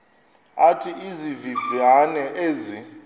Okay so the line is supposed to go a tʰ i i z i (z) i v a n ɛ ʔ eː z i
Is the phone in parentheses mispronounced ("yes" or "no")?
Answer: yes